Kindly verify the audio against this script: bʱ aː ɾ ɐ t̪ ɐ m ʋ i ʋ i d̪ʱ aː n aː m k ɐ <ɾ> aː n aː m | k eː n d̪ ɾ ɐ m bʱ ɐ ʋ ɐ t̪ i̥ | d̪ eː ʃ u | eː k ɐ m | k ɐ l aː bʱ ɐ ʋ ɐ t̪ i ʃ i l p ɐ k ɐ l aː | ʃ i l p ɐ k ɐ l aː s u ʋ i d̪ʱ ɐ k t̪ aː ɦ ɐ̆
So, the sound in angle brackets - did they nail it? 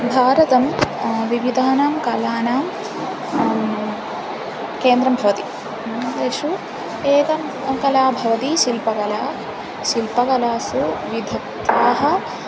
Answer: no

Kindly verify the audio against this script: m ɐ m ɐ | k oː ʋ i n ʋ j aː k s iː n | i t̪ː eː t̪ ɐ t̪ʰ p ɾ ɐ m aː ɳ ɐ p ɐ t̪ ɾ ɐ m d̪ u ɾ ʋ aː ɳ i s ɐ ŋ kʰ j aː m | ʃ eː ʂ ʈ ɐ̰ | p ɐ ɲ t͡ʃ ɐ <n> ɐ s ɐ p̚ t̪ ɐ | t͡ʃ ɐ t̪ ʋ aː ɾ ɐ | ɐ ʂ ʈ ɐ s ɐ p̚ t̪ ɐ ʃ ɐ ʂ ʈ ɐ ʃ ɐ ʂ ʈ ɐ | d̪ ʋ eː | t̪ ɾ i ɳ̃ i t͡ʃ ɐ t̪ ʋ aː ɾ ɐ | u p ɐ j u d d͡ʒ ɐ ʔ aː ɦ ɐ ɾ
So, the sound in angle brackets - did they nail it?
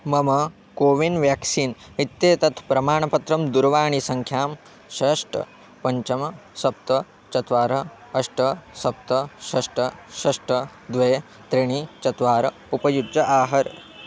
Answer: no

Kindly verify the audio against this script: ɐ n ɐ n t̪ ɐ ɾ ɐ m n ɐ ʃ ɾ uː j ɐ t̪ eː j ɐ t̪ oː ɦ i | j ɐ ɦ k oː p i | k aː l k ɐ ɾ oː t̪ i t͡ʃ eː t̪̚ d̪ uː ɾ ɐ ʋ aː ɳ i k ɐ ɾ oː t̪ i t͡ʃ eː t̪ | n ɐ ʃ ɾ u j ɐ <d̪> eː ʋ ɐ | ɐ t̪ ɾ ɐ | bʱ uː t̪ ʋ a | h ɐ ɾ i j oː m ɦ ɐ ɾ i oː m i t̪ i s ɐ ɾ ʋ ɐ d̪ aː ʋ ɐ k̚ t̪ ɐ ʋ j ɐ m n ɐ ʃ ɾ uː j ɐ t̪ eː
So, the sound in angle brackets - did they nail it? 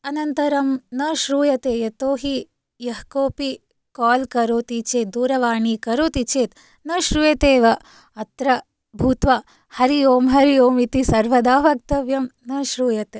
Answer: no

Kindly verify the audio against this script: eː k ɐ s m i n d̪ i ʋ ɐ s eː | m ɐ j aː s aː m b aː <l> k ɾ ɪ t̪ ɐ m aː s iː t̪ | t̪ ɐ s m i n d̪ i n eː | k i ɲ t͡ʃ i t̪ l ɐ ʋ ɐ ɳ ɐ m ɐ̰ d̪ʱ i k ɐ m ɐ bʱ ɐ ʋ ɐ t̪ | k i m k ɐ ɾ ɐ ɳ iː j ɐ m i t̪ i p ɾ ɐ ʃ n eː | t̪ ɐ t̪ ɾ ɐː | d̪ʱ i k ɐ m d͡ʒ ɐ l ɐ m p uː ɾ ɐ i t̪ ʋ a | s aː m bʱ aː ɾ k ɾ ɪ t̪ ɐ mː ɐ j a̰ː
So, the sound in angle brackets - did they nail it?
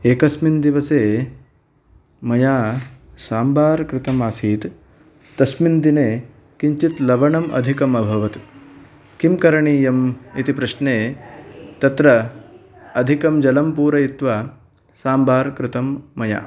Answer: no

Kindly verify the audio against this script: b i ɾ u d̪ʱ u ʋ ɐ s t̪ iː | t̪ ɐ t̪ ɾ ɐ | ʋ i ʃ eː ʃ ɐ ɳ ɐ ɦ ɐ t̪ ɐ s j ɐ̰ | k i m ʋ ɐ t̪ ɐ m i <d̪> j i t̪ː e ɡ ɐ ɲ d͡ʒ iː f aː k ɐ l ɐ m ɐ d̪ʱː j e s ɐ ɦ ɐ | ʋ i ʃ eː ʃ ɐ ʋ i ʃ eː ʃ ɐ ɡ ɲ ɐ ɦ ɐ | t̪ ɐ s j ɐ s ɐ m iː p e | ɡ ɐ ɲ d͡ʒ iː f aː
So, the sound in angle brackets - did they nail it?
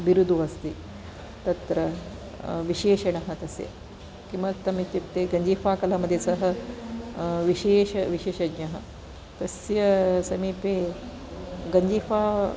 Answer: no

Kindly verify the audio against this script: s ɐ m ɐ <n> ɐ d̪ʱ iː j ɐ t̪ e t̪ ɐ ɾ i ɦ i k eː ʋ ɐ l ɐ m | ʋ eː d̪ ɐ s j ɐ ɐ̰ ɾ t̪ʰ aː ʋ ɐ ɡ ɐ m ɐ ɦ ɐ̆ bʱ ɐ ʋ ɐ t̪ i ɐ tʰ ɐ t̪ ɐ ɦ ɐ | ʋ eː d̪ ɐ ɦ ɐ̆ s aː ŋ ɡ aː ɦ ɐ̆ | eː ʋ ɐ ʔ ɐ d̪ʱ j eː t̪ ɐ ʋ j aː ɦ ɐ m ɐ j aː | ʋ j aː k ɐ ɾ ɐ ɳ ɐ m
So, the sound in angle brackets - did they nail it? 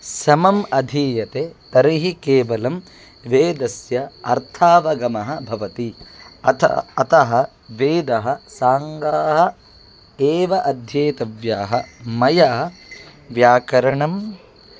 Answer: no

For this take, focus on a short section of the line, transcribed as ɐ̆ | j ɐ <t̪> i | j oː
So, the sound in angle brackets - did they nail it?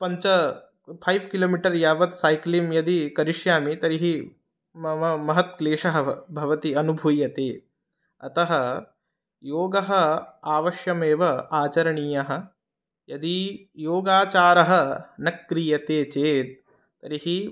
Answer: no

